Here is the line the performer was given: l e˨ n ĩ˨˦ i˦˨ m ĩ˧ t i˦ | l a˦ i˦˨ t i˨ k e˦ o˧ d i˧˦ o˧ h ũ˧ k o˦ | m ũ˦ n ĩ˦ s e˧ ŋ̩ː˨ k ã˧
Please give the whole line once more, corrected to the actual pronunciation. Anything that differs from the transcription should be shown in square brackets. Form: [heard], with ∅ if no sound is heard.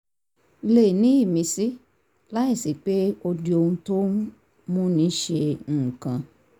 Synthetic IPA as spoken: l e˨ n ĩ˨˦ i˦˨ m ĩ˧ [s] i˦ | l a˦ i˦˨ [s] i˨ [k͡p] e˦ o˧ d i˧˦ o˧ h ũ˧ [t] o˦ | m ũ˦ n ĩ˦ [ʃ] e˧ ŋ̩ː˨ k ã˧

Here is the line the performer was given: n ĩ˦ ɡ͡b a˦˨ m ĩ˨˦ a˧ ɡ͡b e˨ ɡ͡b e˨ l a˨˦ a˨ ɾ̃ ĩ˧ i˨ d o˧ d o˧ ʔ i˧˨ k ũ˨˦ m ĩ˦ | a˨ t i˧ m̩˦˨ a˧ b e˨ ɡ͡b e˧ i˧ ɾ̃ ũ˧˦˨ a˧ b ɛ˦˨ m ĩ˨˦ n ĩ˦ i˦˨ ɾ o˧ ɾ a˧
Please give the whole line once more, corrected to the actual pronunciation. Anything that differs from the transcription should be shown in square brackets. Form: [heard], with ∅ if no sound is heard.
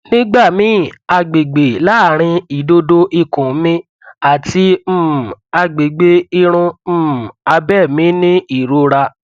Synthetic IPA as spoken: n ĩ˦ ɡ͡b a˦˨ m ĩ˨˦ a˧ ɡ͡b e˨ ɡ͡b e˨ l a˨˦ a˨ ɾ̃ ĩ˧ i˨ d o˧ d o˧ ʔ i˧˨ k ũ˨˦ m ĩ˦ | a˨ t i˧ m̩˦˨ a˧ [ɡ͡b] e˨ ɡ͡b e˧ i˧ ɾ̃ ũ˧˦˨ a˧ b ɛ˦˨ m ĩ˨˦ n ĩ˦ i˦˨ ɾ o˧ ɾ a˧

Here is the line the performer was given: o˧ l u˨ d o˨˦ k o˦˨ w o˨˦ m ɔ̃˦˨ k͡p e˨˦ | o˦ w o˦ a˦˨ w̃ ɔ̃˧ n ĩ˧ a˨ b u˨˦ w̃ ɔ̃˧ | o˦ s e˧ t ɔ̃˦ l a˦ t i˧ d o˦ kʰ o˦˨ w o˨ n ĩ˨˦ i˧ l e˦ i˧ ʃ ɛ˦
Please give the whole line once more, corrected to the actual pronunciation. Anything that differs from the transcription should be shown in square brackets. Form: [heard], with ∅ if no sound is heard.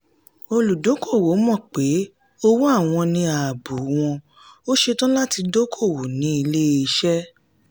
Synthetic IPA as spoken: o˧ l u˨ d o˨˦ k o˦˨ w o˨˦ m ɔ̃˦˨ k͡p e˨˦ | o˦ w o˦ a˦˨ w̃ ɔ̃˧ n ĩ˧ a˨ b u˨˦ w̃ ɔ̃˧ | o˦ [ʃ] e˧ t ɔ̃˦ l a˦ t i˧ d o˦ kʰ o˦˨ w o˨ n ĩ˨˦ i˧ l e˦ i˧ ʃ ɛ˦

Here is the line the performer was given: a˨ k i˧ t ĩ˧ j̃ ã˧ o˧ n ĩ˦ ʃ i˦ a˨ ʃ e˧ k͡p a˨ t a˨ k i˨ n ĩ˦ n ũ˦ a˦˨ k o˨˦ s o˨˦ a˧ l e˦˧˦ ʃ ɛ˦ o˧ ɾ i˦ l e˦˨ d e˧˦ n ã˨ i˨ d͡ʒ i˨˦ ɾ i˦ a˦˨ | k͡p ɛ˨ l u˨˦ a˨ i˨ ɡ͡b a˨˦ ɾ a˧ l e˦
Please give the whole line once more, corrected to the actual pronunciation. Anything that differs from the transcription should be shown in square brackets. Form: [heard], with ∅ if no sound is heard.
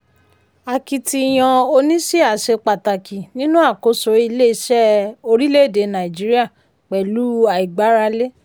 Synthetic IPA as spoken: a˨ k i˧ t [i˧] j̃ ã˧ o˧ n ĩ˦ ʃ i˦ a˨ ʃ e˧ k͡p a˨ t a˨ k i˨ n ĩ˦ n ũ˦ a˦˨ k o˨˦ s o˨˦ [i˧] l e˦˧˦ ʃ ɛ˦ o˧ ɾ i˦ l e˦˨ d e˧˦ n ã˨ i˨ d͡ʒ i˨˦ ɾ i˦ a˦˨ | k͡p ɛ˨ l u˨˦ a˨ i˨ ɡ͡b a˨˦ ɾ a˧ l e˦

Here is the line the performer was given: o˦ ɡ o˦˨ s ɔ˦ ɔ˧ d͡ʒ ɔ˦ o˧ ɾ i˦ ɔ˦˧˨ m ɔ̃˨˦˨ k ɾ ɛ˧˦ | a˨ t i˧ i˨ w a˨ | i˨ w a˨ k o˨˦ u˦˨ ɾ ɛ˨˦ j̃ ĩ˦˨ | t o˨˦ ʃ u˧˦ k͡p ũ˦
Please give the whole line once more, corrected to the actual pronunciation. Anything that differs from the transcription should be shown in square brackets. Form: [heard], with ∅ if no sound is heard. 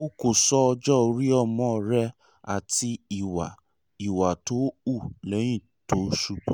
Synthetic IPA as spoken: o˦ [k] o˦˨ s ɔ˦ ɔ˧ d͡ʒ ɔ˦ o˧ ɾ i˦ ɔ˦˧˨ m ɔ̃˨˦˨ [∅] ɾ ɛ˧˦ | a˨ t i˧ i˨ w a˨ | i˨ w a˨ [t] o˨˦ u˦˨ [l] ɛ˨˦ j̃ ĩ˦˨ | t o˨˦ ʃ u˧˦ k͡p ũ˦

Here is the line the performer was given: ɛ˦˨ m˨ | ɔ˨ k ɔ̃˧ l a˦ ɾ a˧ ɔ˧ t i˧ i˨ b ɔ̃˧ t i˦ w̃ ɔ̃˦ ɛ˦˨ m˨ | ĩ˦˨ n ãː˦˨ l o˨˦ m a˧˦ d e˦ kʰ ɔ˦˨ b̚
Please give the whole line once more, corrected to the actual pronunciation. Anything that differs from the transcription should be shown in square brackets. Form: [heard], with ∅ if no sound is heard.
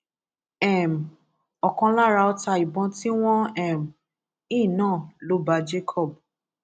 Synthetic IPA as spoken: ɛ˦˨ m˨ | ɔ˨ k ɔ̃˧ l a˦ ɾ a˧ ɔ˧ t [a˧] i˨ b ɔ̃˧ t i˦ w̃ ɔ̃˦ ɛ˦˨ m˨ | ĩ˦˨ n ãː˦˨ l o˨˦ [b] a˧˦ [d͡ʒ] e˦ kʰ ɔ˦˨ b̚

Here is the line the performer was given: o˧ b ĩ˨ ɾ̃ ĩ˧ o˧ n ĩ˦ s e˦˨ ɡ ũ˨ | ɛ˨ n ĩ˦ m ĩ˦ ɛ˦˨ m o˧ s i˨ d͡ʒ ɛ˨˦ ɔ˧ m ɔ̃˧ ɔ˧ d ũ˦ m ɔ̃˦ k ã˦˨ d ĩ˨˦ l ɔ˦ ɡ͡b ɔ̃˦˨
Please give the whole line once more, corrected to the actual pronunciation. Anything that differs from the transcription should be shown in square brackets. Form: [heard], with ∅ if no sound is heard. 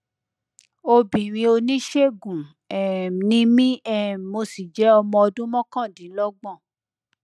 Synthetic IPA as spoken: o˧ b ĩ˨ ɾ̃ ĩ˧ o˧ n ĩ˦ [ʃ] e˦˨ ɡ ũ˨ | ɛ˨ n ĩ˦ m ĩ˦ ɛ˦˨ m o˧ s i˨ d͡ʒ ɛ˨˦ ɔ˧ m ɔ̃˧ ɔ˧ d ũ˦ m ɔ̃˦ k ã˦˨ d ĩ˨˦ l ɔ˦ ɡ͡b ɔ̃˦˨

